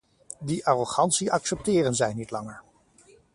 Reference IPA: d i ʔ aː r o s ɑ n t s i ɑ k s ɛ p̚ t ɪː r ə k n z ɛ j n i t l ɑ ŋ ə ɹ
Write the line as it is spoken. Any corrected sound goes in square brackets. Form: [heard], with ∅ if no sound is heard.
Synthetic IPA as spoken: d i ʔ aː r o [χ] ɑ n t s i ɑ k s ɛ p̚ t ɪː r ə [∅] n z ɛ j n i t l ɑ ŋ ə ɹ